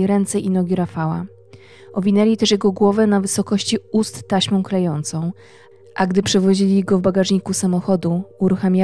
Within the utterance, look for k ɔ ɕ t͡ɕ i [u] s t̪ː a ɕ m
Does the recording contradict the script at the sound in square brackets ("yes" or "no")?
no